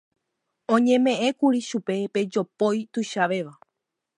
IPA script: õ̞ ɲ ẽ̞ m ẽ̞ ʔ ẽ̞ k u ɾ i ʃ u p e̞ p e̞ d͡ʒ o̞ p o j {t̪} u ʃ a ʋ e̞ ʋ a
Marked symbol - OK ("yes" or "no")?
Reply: yes